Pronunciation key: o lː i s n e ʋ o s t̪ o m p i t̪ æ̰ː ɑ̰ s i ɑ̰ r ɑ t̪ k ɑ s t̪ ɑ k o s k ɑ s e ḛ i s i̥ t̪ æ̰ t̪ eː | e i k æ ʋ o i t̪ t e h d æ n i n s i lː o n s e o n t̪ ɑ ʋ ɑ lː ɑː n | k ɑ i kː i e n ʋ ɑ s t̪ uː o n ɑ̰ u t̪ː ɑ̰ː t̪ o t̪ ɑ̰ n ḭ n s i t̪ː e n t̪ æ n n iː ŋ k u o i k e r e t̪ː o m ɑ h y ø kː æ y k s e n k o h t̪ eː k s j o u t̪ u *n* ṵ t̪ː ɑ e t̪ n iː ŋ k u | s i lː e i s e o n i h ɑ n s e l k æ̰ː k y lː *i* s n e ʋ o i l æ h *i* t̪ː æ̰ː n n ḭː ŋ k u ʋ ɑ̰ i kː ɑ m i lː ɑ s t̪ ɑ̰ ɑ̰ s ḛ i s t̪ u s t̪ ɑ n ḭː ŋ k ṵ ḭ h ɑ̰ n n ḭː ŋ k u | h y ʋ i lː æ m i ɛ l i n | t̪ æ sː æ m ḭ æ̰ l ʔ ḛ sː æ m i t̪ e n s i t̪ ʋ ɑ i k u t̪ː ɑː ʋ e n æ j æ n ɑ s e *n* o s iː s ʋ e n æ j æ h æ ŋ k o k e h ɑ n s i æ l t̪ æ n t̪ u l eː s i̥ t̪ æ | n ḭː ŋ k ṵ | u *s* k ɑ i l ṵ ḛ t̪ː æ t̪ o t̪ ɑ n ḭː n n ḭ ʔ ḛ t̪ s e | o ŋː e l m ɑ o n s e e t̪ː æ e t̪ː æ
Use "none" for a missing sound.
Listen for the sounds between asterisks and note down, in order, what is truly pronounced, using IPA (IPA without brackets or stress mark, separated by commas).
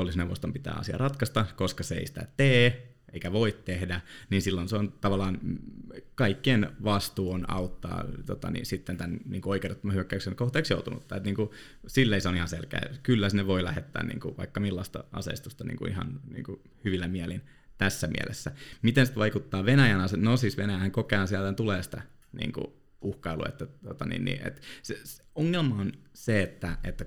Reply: n, æ, e, n, h